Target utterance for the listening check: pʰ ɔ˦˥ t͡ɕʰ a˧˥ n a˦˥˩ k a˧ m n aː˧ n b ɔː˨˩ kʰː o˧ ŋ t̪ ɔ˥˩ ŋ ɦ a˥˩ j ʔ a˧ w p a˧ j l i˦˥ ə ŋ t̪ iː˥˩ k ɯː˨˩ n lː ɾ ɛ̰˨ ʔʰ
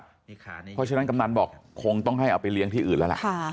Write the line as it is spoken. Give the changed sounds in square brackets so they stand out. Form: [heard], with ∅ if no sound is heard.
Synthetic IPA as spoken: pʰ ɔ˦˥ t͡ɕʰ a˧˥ n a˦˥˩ k a˧ m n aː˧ n b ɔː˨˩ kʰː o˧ ŋ t̪ ɔ˥˩ ŋ ɦ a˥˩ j ʔ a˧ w p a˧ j l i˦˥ ə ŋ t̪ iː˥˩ [ʔ] ɯː˨˩ n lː [l] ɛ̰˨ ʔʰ